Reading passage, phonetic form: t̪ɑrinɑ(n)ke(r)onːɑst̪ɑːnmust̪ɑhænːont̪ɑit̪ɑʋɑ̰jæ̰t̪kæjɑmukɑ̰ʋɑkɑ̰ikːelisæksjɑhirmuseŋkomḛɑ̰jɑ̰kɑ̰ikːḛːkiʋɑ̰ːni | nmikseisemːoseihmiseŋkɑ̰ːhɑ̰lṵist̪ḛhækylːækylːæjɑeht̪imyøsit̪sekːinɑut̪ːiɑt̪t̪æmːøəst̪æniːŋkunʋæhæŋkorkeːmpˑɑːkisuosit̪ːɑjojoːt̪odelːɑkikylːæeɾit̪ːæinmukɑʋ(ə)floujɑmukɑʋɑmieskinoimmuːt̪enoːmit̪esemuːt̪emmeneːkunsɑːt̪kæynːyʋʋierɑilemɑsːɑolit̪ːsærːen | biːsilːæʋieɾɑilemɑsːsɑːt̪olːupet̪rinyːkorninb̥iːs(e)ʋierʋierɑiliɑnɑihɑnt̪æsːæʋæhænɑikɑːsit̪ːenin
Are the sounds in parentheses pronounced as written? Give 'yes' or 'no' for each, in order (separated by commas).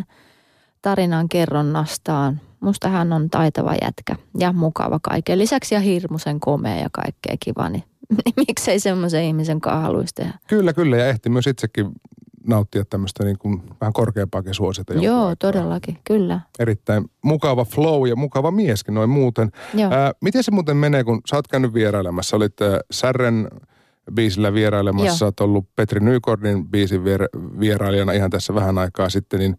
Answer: no, no, no, no